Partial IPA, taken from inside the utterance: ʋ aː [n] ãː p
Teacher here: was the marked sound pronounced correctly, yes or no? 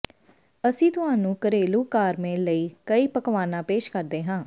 yes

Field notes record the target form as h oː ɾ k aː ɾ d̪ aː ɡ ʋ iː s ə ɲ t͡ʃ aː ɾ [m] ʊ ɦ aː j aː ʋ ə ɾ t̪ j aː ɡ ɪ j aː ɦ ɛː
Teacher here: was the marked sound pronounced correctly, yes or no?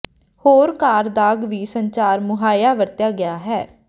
yes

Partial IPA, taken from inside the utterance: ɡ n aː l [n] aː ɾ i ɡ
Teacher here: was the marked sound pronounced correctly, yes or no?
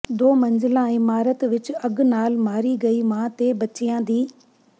no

